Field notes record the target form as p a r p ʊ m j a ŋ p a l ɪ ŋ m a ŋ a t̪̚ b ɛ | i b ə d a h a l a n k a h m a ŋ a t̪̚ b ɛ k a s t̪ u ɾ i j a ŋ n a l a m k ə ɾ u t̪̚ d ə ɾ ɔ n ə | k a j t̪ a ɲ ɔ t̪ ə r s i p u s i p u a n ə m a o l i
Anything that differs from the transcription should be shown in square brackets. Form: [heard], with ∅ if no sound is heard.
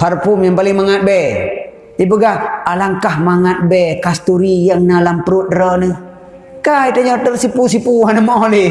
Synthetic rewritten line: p a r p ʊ m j a ŋ p a l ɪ ŋ m a ŋ a t̪̚ b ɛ | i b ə [ɡ] a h a l a [ŋ] k a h m a ŋ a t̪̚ b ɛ k a s t̪ u ɾ i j a ŋ n a l a m [p] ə ɾ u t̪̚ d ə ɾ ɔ n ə | k a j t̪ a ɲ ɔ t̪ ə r s i p u s i p u a n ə m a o l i